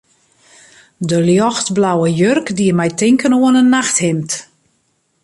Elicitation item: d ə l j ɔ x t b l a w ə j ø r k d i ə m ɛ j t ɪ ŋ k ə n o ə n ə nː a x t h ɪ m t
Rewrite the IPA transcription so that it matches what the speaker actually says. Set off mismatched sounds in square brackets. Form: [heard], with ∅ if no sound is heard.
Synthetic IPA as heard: d ə l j ɔ x t b l a w ə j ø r k d i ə m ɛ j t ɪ ŋ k ə n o ə n ə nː a x t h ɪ m t